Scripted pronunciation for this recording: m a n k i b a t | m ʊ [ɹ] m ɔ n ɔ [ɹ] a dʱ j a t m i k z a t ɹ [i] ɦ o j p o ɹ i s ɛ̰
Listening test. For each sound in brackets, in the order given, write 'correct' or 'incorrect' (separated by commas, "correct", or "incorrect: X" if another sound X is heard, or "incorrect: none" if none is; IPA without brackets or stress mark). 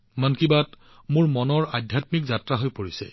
correct, correct, incorrect: a